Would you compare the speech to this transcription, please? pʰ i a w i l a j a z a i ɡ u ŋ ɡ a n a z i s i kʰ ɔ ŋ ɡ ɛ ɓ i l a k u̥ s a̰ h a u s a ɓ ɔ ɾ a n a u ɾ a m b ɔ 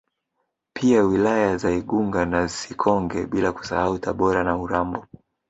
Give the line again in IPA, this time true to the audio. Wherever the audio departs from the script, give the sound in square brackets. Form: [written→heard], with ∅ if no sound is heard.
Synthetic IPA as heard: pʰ i a w i l a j a z a i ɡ u ŋ ɡ a n a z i s i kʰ ɔ ŋ ɡ ɛ ɓ i l a k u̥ s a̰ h a u [s→t] a ɓ ɔ ɾ a n a u ɾ a m b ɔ